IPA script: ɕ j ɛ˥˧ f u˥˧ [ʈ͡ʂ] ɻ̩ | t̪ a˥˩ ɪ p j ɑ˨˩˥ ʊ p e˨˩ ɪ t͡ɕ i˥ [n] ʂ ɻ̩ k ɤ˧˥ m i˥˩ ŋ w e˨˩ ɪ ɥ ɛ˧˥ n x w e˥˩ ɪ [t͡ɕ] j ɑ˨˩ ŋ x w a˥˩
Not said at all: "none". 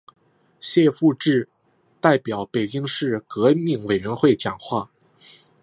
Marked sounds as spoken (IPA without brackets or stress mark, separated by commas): ʈ͡ʂ, ŋ, t͡ɕ